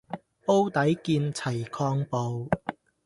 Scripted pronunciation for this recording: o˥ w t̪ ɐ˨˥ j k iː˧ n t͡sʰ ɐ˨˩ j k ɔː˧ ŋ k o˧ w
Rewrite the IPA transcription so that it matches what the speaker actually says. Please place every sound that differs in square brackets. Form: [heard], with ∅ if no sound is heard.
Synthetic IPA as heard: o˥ w t̪ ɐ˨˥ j k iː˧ n t͡sʰ ɐ˨˩ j [kʰ] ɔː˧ ŋ [p] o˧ w